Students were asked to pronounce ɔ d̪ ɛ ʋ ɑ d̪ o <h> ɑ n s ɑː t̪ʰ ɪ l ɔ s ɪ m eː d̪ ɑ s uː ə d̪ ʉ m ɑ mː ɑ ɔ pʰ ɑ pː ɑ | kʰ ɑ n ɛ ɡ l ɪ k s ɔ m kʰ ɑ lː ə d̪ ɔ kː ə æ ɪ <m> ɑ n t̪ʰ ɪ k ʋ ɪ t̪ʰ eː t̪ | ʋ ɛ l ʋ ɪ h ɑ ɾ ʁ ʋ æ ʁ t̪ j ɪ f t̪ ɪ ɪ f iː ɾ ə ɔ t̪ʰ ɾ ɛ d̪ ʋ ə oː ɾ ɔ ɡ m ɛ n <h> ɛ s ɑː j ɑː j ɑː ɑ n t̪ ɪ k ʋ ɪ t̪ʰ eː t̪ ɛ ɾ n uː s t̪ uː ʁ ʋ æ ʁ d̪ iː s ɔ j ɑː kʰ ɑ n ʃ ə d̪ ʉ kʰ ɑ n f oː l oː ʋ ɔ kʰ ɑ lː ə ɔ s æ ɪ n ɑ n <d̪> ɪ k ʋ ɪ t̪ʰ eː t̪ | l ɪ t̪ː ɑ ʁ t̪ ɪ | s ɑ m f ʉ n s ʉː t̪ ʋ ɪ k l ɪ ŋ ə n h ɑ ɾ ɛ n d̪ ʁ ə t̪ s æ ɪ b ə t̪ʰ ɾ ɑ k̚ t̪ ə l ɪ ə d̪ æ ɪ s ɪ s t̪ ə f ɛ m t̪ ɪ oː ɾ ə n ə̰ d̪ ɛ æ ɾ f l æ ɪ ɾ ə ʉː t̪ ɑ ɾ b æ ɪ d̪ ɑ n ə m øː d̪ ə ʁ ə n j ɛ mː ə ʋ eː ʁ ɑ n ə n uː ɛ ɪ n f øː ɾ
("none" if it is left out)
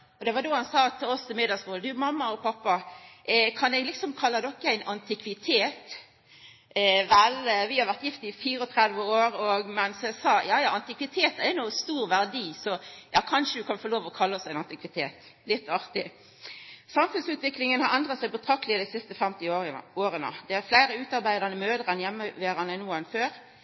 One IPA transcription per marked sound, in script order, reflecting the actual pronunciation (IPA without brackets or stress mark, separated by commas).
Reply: h, n, s, t̪